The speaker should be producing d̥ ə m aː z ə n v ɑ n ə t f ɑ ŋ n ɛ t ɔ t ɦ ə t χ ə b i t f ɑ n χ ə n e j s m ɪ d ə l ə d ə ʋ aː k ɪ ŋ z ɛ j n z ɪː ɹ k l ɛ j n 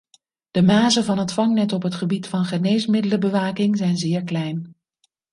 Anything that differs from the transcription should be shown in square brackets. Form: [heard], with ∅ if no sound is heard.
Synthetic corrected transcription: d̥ ə m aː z ə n v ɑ n ə t f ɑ ŋ n ɛ t ɔ [p] ɦ ə t χ ə b i t f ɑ n χ ə n e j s m ɪ d ə l ə [b] ə ʋ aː k ɪ ŋ z ɛ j n z ɪː ɹ k l ɛ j n

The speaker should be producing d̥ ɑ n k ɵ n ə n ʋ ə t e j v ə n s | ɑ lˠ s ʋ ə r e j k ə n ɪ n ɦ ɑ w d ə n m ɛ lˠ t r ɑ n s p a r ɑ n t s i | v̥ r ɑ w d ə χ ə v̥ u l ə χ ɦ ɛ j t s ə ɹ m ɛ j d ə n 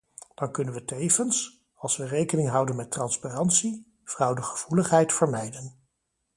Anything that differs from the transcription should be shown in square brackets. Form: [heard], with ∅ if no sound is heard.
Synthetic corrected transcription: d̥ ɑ n k ɵ n ə n ʋ ə t e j v ə n s | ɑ lˠ s ʋ ə r e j k ə n ɪ [ŋ] ɦ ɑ w d ə n m ɛ [∅] t r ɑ n s p a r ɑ n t s i | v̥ r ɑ w d ə χ ə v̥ u l ə χ ɦ ɛ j t [f] ə ɹ m ɛ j d ə n

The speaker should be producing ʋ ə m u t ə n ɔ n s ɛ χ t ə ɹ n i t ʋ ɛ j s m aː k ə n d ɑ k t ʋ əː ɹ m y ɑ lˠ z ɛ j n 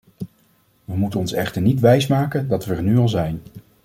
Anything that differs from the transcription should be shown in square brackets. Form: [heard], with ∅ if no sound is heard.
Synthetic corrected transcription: ʋ ə m u t ə n ɔ n s ɛ χ t ə ɹ n i t ʋ ɛ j s m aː k ə n d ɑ [∅] t ʋ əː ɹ [n] y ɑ lˠ z ɛ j n

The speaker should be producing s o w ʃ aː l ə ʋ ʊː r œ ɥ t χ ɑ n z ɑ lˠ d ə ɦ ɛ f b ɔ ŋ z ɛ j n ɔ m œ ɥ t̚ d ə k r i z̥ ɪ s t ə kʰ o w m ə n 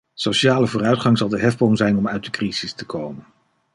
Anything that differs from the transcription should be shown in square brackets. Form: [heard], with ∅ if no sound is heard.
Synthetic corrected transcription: s o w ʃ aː l ə [v] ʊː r œ ɥ t χ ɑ [ŋ] z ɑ lˠ d ə ɦ ɛ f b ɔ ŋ z ɛ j n ɔ m œ ɥ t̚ d ə k r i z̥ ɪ s t ə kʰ o w m ə n

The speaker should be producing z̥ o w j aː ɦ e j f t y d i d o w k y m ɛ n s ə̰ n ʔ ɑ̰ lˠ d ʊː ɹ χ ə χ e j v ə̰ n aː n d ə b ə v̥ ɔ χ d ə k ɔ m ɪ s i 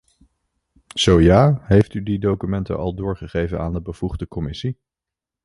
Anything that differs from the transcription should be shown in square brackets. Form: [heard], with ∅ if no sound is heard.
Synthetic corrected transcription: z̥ o w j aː ɦ e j f t y d i d o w k y m ɛ n [t] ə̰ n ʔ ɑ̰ lˠ d ʊː ɹ χ ə χ e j v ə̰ n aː n d ə b ə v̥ [u] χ d ə k ɔ m ɪ s i

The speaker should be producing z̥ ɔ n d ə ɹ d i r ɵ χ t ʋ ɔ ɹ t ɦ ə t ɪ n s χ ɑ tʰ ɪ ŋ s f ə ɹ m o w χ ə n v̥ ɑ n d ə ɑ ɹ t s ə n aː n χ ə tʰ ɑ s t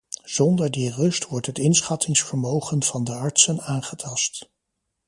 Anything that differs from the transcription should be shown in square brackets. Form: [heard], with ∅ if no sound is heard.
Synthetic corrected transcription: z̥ ɔ n d ə ɹ d i r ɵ [s] t ʋ ɔ ɹ t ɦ ə t ɪ n s χ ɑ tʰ ɪ ŋ s f ə ɹ m o w χ ə n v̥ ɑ n d ə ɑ ɹ t s ə n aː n χ ə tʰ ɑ s t

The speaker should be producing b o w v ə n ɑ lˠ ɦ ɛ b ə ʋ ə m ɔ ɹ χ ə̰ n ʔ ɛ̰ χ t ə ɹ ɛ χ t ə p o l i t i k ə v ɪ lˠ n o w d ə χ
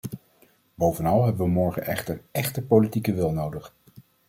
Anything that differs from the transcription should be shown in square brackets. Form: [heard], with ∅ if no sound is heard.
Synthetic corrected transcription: b o w v ə n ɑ lˠ ɦ ɛ b ə ʋ ə m ɔ ɹ χ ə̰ n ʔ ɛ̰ χ t ə ɹ ɛ χ t ə p o l i t i k ə [ʋ] ɪ lˠ n o w d ə χ

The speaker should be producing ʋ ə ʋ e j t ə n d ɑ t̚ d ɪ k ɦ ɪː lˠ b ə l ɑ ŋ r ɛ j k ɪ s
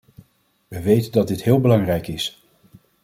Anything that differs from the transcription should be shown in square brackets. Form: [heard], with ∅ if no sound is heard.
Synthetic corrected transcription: ʋ ə ʋ e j t ə n d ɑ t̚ d ɪ [t] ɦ ɪː lˠ b ə l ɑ ŋ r ɛ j k ɪ s

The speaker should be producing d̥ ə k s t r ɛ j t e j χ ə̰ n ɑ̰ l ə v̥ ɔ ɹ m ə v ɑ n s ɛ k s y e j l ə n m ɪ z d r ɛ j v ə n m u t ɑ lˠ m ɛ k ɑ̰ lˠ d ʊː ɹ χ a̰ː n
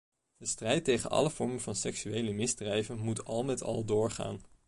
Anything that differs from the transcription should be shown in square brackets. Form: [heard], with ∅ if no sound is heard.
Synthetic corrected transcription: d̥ ə [∅] s t r ɛ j t e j χ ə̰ n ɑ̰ l ə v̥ ɔ ɹ m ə v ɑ n s ɛ k s y e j l ə [∅] m ɪ z d r ɛ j v ə n m u t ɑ lˠ m ɛ [t] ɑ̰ lˠ d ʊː ɹ χ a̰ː n

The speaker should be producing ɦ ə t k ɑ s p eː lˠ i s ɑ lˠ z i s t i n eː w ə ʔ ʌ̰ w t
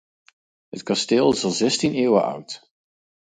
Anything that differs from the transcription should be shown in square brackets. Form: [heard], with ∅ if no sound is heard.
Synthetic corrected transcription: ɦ ə t k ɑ s [t] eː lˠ [ɪ] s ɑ lˠ z [ɛ] s t i n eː w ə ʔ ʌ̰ w t

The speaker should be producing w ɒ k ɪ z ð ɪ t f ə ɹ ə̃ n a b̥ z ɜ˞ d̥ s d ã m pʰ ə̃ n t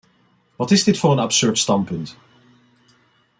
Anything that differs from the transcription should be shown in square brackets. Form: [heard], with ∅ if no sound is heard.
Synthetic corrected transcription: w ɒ [t] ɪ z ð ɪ t f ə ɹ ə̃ n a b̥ [s] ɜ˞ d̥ s [t] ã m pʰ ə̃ n t

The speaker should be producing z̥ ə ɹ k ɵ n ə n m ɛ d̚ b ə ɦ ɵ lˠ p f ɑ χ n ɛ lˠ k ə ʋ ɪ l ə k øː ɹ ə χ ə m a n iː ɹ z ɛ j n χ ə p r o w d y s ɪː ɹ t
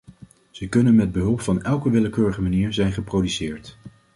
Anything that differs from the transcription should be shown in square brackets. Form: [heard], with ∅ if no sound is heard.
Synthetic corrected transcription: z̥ ə [∅] k ɵ n ə n m ɛ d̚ b ə ɦ ɵ lˠ p f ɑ [∅] n ɛ lˠ k ə ʋ ɪ l ə k øː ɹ ə χ ə m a n iː ɹ z ɛ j n χ ə p r o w d y s ɪː ɹ t

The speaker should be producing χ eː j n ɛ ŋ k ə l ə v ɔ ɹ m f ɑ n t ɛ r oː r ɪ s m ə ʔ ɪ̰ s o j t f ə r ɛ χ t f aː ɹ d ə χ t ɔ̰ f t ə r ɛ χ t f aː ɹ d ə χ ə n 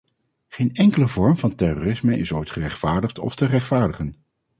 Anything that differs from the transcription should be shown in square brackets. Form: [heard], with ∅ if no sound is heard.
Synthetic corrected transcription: χ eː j n ɛ ŋ k ə l ə v ɔ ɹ m [v] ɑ n t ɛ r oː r ɪ s m ə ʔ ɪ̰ s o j t [χ] ə r ɛ χ t f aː ɹ d ə χ t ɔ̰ f t ə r ɛ χ t f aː ɹ d ə χ ə n

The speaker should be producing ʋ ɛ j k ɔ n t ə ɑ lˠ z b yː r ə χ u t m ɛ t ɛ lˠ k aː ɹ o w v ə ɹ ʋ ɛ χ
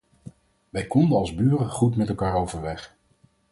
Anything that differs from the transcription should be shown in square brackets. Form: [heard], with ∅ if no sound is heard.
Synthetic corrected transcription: ʋ ɛ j k ɔ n [d] ə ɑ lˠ z b yː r ə χ u t m ɛ t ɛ lˠ k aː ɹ o w v ə ɹ ʋ ɛ χ

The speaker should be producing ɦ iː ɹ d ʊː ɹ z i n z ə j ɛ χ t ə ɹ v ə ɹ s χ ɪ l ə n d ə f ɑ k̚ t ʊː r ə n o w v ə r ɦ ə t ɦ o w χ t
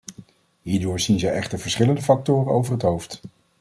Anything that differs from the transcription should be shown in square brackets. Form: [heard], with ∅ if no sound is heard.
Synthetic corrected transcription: ɦ iː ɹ d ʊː ɹ z i n z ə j ɛ χ t ə ɹ v ə ɹ s χ ɪ l ə n d ə f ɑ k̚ t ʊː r ə n o w v ə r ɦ ə t ɦ o w [f] t

